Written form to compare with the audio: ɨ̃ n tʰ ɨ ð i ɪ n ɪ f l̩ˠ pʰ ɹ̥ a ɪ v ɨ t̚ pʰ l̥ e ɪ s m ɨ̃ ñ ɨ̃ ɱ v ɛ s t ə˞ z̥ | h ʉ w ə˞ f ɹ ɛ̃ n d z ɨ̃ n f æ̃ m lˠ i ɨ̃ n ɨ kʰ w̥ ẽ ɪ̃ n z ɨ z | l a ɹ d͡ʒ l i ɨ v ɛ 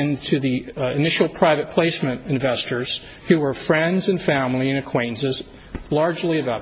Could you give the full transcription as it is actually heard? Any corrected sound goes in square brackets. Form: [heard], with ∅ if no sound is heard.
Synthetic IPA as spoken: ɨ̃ n tʰ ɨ ð i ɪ n ɪ [ʃ] l̩ˠ pʰ ɹ̥ a ɪ v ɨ t̚ pʰ l̥ e ɪ s m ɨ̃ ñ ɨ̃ ɱ v ɛ s t ə˞ z̥ | h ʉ w ə˞ f ɹ ɛ̃ n d z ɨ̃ n f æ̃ m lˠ i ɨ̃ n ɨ kʰ w̥ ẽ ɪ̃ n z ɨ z | l [ɑ] ɹ d͡ʒ l i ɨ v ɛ